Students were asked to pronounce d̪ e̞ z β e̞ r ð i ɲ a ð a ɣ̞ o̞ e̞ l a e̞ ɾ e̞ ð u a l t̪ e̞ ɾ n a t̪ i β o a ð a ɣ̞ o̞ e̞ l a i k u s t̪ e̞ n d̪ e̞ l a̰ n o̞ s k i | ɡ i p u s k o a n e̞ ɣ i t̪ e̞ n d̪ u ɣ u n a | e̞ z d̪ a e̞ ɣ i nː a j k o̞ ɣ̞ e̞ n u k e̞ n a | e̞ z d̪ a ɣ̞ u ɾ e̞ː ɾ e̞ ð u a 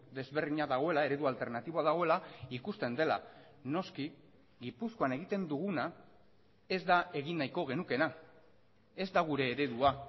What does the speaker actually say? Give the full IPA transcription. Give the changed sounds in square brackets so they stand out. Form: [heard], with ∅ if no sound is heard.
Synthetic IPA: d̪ e̞ z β e̞ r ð i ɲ a ð a ɣ̞ o̞ e̞ l a e̞ ɾ e̞ ð u a l t̪ e̞ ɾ n a t̪ i β o a ð a ɣ̞ o̞ e̞ l a i k u s t̪ e̞ n d̪ e̞ l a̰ n o̞ s k i | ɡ i p u s k o a n e̞ ɣ i t̪ e̞ n d̪ u ɣ u n a | e̞ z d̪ a e̞ ɣ i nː a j k o̞ ɣ̞ e̞ n u k e̞ n a | e̞ z d̪ a ɣ̞ u ɾ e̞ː ɾ e̞ ð u a